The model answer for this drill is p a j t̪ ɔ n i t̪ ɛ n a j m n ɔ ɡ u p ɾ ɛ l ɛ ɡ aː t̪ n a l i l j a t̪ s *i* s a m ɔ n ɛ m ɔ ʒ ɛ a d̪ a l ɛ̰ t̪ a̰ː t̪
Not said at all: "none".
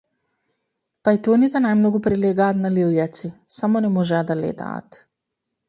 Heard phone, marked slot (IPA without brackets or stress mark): i